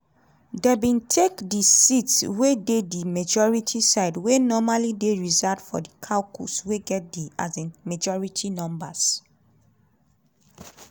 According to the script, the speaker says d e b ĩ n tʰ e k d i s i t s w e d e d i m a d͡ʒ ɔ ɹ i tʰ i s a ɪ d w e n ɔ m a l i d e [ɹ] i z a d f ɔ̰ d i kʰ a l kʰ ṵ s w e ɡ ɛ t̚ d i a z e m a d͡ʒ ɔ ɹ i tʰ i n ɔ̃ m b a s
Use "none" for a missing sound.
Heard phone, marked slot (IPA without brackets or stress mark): ɹ